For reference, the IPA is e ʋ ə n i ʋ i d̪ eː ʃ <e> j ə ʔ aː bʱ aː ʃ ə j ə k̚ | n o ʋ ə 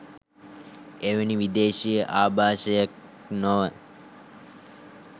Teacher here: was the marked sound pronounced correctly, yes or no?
no